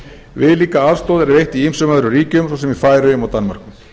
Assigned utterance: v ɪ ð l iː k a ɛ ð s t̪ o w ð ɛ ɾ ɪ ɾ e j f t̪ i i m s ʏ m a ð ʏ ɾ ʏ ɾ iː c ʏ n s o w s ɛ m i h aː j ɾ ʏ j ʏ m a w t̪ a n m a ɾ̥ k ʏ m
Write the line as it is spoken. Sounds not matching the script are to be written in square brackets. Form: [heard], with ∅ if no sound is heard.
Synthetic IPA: v ɪ ð l iː k a [a] ð s t̪ o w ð ɛ ɾ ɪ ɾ e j [h] t̪ i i m s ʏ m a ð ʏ ɾ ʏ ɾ iː c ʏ [m] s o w s ɛ m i [f] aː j ɾ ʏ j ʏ m a w t̪ a n m a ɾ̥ k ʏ m